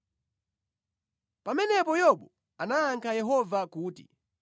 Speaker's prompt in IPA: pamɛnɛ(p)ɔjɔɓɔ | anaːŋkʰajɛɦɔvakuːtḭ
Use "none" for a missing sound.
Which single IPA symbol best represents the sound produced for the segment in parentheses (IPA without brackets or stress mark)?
p